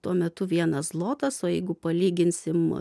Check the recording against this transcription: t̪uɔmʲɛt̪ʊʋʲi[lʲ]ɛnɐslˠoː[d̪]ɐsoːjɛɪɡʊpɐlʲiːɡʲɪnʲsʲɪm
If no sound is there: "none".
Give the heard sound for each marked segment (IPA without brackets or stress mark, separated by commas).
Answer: none, t̪